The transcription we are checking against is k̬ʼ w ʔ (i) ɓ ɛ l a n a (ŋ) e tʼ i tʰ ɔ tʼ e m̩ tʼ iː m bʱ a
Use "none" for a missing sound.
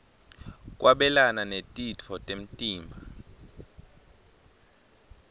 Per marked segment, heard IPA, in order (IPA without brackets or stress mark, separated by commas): a, n